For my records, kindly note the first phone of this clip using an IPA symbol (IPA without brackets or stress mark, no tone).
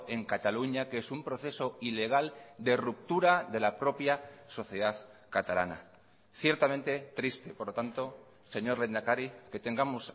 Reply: e̞